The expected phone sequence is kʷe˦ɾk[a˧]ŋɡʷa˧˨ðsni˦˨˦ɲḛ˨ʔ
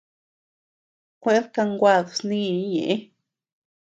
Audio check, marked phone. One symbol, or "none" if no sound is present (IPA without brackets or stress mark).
a˧